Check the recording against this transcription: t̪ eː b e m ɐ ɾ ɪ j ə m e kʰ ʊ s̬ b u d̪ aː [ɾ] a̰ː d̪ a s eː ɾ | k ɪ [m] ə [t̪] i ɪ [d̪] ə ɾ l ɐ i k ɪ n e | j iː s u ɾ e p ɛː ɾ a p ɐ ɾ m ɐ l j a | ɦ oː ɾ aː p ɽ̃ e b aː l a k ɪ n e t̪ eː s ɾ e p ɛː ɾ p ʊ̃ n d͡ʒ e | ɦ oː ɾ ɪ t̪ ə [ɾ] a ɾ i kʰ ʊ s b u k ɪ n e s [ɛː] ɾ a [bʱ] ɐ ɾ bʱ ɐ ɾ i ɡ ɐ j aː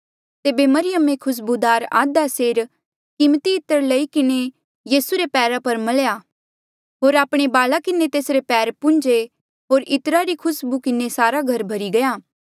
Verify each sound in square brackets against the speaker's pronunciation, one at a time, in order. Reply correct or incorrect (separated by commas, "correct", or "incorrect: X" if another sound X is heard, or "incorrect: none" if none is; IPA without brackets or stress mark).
correct, correct, correct, incorrect: t̪, correct, incorrect: aː, incorrect: ɡʱ